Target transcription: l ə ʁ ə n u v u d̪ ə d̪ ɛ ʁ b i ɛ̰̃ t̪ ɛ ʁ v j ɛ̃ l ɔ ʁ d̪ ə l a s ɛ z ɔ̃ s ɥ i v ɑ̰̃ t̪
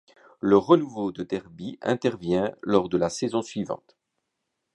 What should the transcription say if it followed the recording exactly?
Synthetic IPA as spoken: l ə ʁ ə n u v o d̪ ə d̪ ɛ ʁ b i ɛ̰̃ t̪ ɛ ʁ v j ɛ̃ l ɔ ʁ d̪ ə l a s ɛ z ɔ̃ s ɥ i v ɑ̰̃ t̪